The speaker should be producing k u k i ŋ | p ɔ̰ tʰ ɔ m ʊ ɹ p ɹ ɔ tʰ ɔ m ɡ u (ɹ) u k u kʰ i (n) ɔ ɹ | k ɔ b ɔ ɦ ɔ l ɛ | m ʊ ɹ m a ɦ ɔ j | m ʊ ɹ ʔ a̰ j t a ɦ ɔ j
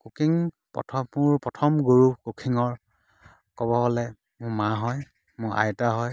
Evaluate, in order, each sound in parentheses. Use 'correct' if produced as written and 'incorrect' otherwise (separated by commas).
correct, incorrect